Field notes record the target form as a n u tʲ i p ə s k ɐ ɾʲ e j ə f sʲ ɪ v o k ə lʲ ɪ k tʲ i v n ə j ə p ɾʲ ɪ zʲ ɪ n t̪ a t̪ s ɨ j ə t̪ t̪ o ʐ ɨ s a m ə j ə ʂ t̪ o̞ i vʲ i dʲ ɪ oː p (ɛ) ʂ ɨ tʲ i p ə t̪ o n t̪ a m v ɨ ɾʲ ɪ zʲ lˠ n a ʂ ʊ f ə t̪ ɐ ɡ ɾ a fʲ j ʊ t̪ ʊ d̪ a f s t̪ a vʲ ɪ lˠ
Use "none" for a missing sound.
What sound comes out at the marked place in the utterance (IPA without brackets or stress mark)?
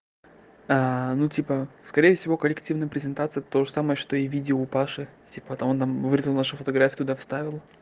a